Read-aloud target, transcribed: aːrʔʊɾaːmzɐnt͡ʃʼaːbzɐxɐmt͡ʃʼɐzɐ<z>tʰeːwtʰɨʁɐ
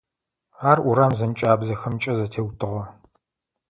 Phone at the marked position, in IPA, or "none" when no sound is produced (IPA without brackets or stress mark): none